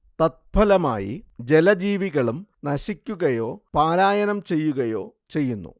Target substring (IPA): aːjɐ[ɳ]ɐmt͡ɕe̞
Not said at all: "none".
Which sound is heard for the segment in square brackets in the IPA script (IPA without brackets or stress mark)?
n